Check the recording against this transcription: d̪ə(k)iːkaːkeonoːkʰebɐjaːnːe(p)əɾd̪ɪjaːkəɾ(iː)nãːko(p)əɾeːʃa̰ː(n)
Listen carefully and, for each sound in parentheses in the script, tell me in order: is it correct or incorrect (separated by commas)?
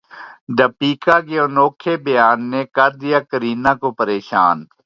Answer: incorrect, incorrect, correct, correct, correct